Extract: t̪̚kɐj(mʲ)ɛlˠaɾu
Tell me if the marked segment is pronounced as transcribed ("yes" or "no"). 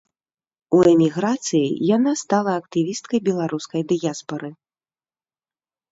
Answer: no